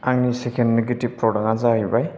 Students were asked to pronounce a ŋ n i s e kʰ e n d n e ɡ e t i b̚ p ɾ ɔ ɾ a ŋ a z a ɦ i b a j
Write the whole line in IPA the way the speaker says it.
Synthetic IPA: a ŋ n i s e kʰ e n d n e ɡ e t i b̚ p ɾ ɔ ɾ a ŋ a z a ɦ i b a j